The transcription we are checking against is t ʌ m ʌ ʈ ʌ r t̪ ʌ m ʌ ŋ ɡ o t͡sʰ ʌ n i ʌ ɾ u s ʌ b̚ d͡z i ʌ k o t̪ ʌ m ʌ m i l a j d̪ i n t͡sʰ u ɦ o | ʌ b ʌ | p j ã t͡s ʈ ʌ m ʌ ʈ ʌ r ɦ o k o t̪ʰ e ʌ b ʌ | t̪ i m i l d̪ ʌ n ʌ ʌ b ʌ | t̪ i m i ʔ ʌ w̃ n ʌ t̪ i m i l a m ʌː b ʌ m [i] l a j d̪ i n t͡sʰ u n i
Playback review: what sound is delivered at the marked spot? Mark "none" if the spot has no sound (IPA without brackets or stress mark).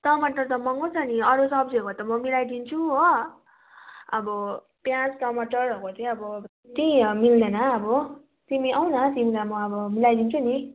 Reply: i